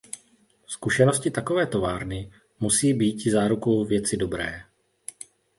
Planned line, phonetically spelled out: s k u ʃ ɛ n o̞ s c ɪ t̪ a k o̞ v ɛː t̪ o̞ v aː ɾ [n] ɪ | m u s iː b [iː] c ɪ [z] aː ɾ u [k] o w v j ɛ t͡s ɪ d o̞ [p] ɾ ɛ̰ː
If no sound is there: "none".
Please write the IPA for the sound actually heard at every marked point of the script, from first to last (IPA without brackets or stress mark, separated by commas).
n, iː, z, k, b